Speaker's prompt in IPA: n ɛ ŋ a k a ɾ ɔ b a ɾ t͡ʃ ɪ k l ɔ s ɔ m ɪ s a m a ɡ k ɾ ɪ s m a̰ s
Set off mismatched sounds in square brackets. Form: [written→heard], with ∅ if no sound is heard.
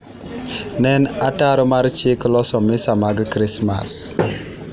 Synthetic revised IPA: n ɛ [ŋ→n] a [k→t] a ɾ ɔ [b→m] a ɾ t͡ʃ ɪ k l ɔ s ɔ m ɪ s a m a ɡ k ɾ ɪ s m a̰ s